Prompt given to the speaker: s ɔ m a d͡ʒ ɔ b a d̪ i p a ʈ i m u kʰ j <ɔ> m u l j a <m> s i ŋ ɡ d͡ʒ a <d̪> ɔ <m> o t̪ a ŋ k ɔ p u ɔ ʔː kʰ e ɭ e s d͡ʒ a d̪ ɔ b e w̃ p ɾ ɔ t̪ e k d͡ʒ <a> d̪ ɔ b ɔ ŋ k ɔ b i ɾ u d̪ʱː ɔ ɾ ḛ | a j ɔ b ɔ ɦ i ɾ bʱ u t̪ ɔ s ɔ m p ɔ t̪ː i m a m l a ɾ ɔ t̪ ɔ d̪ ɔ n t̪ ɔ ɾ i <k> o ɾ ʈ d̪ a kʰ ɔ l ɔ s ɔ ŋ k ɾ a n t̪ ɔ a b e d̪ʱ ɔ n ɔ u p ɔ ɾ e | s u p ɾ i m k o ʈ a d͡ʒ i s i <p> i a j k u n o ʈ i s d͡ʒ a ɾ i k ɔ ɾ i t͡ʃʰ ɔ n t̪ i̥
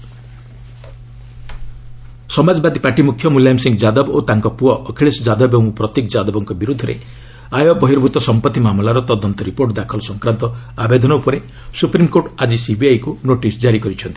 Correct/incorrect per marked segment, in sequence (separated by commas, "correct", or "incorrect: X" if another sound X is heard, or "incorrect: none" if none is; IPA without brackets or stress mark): correct, correct, correct, incorrect: b, correct, incorrect: p, incorrect: b